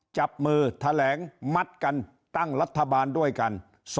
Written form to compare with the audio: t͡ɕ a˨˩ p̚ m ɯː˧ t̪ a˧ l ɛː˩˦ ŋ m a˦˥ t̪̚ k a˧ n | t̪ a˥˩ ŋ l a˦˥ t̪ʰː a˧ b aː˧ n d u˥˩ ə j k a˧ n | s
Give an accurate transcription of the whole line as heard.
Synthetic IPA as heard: t͡ɕ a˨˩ p̚ m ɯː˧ t̪ʰ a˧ l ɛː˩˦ ŋ m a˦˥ t̪̚ k a˧ n | t̪ a˥˩ ŋ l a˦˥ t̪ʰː a˧ b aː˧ n d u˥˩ ə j k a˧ n | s